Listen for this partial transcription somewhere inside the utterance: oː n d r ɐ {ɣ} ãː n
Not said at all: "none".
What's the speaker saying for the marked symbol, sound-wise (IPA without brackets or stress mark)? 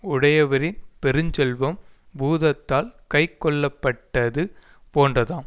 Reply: ð